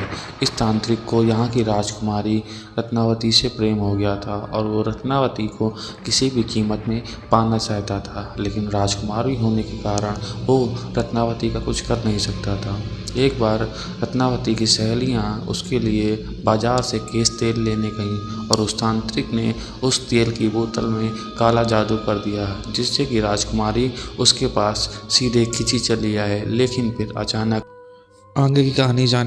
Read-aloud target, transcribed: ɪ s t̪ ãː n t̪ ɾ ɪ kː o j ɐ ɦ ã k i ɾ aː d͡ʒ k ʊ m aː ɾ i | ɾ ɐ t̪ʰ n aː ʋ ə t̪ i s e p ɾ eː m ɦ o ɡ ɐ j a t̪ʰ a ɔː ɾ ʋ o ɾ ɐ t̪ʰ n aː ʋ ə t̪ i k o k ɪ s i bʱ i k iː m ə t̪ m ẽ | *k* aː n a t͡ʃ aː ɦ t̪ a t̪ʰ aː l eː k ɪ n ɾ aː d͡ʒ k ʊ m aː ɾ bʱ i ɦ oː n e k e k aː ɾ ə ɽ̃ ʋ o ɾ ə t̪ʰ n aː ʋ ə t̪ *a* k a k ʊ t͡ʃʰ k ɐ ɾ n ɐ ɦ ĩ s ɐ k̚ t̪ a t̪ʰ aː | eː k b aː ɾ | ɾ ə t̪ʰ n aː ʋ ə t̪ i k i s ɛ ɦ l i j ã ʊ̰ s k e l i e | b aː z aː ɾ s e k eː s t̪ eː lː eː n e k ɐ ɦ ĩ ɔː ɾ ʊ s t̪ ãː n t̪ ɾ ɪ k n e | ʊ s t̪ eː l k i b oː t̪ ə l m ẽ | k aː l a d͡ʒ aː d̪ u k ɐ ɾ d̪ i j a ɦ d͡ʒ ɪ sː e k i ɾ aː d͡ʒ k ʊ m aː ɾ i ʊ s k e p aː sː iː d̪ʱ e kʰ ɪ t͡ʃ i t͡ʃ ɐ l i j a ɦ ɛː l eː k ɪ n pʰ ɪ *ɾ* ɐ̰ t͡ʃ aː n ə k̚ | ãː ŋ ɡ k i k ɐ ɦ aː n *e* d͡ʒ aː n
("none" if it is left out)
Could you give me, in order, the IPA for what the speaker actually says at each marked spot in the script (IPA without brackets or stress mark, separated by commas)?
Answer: p, i, ɾ, i